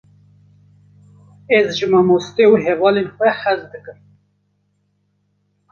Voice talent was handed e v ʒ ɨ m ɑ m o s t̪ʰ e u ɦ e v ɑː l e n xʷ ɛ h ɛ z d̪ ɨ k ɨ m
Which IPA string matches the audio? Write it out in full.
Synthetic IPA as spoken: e z ʒ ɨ m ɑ m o s t̪ e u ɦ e v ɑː l e n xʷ ɛ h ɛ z d̪ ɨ k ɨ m